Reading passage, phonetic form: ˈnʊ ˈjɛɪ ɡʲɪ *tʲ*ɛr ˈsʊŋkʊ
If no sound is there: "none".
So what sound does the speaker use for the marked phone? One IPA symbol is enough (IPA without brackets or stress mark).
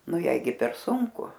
pʲ